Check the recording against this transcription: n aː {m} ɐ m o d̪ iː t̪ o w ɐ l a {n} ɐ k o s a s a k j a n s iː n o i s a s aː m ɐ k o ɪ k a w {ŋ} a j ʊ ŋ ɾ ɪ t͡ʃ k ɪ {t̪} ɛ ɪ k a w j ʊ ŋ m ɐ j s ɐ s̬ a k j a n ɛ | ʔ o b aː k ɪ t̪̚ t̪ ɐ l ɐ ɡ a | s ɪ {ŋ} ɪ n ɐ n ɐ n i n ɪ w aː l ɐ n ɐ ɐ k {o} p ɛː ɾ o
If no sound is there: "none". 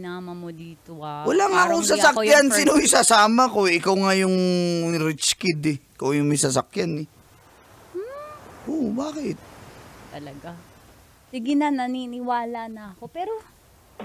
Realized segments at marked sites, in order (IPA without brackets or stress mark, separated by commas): m, ŋ, ŋ, d̪, ɡ, o